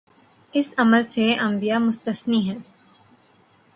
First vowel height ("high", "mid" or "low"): high